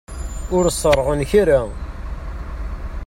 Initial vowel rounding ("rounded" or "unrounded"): rounded